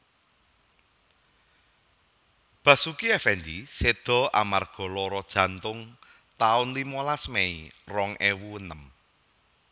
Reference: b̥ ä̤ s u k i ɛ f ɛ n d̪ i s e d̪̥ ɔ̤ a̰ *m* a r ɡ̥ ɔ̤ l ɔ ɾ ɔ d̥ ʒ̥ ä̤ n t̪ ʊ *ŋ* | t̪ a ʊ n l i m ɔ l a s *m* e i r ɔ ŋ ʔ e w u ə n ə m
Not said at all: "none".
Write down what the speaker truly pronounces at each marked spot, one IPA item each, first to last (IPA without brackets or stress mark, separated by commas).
m, ŋ, m